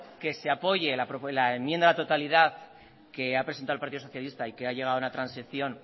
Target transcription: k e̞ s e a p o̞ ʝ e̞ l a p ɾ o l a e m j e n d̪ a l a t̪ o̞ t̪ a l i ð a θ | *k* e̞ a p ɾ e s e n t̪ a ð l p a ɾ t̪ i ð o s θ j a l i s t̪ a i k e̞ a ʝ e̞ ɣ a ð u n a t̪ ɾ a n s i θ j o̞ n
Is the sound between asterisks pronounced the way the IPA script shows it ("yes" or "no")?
yes